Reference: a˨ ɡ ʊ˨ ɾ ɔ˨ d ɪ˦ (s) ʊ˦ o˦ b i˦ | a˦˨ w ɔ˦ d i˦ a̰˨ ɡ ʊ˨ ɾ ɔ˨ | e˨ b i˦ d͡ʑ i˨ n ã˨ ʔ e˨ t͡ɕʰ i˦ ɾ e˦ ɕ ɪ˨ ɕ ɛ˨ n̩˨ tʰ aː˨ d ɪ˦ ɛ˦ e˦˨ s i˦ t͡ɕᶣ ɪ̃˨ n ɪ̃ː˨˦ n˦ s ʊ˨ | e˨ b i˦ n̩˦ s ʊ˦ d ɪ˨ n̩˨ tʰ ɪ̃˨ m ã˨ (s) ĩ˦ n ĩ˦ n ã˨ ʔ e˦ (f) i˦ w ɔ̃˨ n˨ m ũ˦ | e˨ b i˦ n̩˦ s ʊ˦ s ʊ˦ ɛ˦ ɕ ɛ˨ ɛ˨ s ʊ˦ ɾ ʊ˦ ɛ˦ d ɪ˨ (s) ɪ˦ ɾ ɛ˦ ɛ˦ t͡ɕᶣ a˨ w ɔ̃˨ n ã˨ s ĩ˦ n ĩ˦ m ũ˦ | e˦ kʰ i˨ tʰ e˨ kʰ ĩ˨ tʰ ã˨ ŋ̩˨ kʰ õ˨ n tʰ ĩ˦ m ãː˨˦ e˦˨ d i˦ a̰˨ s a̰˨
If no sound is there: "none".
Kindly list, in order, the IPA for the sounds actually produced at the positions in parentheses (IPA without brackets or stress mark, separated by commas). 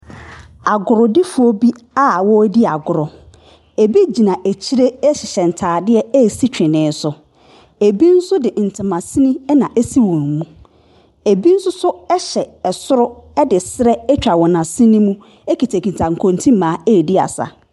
f, s, s, s